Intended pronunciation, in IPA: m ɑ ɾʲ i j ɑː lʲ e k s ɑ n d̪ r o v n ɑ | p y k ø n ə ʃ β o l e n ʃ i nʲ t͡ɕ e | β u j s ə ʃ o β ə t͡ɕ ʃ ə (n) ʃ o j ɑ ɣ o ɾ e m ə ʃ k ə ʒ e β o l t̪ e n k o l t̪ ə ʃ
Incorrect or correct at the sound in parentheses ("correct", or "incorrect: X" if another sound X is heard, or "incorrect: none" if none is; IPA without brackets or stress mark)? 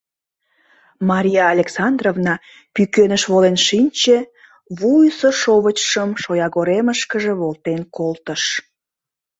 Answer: incorrect: m